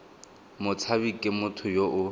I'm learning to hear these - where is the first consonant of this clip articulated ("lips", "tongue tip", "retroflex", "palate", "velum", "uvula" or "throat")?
lips